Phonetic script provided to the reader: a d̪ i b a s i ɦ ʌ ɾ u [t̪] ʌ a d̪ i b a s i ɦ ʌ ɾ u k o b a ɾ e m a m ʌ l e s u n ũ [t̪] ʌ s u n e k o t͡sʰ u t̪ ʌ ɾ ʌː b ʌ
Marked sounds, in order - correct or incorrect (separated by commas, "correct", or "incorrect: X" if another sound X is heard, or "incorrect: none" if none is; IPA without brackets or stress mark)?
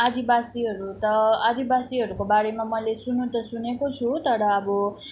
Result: correct, correct